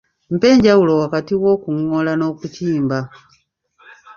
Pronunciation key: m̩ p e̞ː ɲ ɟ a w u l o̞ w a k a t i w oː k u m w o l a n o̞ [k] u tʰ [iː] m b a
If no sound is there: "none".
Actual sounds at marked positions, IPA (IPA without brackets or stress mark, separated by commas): k, iː